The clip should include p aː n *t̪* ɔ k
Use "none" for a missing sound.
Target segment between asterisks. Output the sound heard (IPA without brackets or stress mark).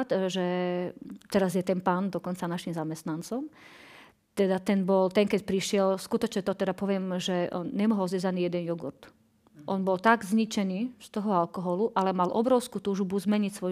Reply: d̪